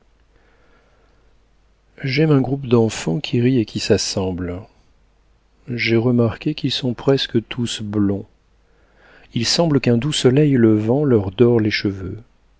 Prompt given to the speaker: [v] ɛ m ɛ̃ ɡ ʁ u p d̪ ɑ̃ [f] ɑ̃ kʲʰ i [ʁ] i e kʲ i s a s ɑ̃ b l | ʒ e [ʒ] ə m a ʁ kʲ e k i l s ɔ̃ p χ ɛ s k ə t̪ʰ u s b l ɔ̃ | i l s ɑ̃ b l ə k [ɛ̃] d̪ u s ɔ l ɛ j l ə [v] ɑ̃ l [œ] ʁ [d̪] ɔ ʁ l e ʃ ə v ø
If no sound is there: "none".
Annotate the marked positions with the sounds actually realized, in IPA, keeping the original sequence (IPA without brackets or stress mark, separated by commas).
ʒ, f, ʁ, ʁ, ɛ̃, v, œ, d̪